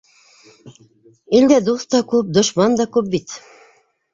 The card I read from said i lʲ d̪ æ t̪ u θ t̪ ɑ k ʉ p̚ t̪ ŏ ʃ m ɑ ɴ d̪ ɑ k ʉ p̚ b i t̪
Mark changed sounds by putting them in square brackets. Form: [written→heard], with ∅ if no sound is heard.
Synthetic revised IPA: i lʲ d̪ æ [t̪→d̪] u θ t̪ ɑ k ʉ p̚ [t̪→d̪] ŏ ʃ m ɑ [ɴ→n] d̪ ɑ k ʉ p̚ b i t̪